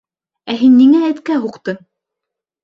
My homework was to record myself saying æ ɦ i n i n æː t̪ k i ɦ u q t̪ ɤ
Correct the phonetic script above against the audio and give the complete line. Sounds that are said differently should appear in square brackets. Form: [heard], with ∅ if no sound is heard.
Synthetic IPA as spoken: æ ɦ i [nː] i [ŋ] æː t̪ k [æ] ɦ u q t̪ ɤ